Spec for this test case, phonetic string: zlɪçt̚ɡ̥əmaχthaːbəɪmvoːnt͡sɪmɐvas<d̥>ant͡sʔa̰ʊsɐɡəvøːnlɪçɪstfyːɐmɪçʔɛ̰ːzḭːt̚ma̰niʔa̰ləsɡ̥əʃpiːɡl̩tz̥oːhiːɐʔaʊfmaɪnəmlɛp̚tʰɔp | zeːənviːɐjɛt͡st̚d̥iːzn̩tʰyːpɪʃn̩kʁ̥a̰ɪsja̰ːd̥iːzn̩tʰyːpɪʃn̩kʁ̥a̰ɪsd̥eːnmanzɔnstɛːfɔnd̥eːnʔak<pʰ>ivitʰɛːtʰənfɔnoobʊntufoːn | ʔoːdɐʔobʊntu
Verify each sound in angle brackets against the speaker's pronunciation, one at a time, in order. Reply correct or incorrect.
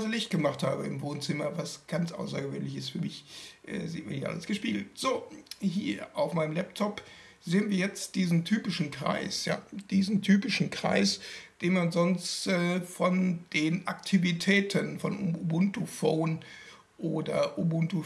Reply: incorrect, incorrect

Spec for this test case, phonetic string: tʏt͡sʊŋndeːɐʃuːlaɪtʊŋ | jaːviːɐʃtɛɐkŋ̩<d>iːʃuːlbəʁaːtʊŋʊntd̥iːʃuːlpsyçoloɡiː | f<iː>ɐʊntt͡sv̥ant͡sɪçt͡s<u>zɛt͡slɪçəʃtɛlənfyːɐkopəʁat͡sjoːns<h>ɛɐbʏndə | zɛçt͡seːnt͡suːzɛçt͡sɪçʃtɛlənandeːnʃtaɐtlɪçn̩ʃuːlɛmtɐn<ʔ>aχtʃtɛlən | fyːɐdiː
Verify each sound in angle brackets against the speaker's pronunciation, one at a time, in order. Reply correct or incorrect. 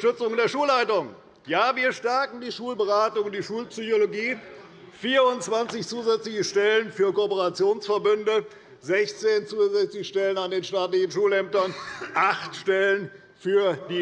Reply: correct, correct, incorrect, incorrect, correct

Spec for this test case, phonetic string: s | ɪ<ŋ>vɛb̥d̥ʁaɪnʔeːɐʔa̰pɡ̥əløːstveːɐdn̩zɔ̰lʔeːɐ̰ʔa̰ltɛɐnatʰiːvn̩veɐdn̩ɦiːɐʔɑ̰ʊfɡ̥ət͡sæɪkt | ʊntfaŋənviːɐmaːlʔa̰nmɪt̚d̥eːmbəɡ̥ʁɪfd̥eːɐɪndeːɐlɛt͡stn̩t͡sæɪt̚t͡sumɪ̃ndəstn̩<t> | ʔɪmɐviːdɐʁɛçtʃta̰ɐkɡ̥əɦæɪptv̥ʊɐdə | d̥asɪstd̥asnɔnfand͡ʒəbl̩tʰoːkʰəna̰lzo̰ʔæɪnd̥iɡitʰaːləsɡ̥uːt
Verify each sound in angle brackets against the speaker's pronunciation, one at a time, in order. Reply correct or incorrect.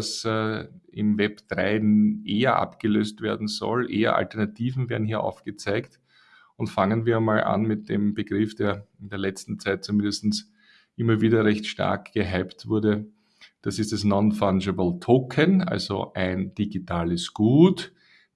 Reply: incorrect, incorrect

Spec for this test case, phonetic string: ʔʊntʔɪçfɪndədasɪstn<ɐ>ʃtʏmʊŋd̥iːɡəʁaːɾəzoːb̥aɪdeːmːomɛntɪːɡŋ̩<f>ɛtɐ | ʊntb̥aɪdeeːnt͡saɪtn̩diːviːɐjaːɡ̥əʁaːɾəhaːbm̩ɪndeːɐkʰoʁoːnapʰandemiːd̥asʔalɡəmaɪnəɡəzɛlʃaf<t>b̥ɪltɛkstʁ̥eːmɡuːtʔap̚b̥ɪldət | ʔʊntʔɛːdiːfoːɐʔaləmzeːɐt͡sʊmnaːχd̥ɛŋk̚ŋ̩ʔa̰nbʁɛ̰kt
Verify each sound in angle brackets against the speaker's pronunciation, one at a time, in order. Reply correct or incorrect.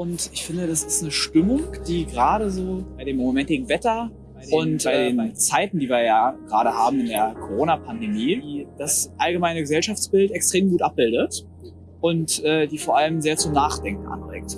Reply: incorrect, incorrect, incorrect

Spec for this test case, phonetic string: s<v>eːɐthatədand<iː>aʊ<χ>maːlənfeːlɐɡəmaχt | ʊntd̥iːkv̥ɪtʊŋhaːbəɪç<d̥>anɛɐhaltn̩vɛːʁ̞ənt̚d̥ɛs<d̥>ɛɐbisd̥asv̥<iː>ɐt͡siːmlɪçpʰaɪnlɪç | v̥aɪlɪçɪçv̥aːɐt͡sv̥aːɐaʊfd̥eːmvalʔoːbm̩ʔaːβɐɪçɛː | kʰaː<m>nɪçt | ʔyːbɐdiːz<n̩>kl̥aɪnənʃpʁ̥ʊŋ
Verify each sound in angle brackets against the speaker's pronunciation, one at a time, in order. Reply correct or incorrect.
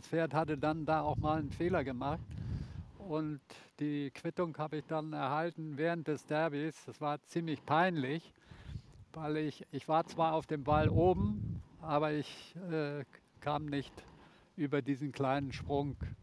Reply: incorrect, incorrect, incorrect, correct, correct, incorrect, correct, correct

